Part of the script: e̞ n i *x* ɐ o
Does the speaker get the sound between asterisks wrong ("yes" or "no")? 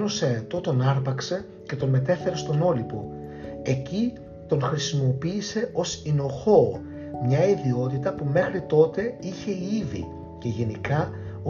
yes